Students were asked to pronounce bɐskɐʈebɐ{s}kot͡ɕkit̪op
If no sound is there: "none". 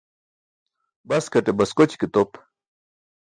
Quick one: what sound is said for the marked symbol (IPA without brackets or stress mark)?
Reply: s